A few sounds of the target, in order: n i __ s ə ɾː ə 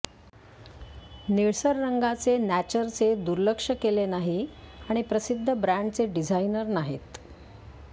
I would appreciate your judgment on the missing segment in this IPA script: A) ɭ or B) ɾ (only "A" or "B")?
A